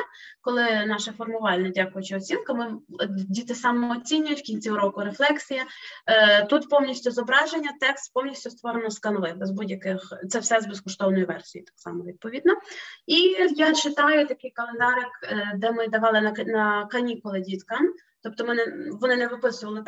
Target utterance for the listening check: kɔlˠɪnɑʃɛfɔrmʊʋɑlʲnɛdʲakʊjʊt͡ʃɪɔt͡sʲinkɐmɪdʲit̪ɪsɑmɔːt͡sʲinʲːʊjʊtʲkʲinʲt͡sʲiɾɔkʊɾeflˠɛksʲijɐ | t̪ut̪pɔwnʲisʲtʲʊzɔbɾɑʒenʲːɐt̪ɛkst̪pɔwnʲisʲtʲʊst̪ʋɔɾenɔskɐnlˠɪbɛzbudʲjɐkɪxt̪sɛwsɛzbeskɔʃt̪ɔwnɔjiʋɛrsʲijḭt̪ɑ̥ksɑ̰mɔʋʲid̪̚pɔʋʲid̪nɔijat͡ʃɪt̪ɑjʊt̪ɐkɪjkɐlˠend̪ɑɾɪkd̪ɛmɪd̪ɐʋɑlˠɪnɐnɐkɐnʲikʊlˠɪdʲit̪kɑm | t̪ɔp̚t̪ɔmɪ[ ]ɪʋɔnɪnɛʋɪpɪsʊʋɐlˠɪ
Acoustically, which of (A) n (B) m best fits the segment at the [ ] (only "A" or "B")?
A